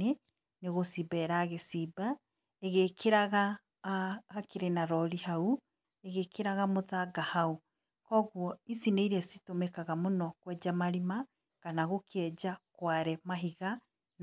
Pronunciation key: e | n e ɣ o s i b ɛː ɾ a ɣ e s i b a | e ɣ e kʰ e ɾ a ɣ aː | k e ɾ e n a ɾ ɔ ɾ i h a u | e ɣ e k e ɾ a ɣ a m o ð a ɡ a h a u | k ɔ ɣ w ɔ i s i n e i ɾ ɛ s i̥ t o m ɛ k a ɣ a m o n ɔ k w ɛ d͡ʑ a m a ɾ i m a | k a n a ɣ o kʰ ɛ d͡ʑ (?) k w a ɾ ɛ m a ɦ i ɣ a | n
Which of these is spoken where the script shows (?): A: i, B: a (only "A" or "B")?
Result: B